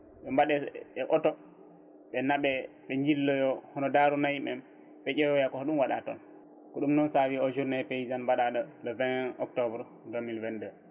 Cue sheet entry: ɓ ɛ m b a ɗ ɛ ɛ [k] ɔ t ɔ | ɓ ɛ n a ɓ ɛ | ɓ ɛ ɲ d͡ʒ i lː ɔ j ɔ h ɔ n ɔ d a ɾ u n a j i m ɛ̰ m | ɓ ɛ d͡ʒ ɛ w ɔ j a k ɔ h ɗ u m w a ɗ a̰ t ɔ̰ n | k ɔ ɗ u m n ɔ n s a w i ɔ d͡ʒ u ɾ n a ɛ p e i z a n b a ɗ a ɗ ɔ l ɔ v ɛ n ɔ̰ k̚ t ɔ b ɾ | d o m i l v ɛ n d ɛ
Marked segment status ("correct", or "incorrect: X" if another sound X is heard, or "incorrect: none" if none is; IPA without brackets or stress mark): incorrect: ʔ